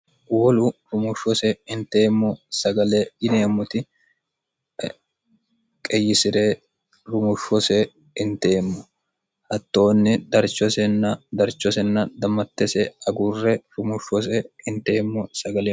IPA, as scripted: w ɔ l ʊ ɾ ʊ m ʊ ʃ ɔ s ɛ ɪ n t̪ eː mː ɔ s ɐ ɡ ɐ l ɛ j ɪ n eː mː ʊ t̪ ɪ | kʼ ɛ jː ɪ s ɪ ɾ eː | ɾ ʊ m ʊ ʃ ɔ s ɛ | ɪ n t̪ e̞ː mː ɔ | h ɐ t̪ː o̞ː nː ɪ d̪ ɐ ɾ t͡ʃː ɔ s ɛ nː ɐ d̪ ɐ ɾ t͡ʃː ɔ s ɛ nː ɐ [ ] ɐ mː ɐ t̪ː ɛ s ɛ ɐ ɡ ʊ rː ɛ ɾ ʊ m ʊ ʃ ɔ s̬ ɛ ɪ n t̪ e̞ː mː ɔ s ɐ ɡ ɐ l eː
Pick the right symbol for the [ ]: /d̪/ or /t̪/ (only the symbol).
d̪